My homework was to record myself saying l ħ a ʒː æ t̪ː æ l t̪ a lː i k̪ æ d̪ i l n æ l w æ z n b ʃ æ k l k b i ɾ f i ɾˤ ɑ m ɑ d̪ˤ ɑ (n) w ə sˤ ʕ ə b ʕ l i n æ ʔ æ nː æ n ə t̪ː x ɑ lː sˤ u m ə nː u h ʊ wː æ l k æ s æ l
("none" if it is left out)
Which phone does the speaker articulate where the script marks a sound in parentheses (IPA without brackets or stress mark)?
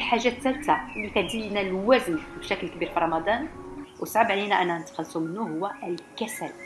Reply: n